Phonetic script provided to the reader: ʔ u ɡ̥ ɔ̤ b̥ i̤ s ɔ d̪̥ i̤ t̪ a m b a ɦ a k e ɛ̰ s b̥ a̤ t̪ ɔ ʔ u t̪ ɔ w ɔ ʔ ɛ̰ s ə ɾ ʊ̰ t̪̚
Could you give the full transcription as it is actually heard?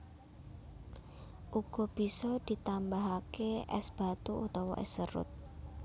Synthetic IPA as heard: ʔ u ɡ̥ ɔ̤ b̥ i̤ s ɔ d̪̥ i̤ t̪ a m b a ɦ a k e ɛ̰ s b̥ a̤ t̪ u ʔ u t̪ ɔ w ɔ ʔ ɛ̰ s ə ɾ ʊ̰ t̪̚